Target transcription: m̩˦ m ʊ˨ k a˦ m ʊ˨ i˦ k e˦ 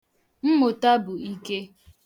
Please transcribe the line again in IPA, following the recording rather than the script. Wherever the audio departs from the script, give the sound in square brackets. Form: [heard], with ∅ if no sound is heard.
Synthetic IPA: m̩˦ m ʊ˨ [t] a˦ [b] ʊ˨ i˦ k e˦